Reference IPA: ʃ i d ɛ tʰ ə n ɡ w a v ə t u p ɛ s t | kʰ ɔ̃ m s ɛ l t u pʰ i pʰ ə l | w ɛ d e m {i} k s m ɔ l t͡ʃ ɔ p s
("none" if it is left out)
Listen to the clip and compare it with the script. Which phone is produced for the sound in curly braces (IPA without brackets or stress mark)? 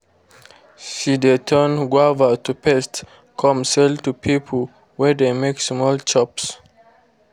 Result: e